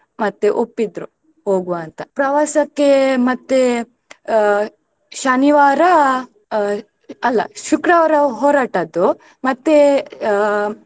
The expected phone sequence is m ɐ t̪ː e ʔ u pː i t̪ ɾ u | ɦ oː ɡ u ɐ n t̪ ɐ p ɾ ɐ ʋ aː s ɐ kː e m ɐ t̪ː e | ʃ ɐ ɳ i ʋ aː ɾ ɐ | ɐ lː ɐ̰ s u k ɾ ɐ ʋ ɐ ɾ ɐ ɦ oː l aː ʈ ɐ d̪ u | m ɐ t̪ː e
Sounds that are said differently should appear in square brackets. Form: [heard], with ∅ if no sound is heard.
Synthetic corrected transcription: m ɐ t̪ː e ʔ [o] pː i [d̪] ɾ u | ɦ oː ɡ u ɐ n t̪ ɐ p ɾ ɐ ʋ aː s ɐ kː e m ɐ t̪ː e | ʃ ɐ [n] i ʋ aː ɾ ɐ | ɐ lː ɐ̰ [ʃ] u k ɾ ɐ ʋ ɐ ɾ ɐ ɦ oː [ɾ] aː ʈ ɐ d̪ u | m ɐ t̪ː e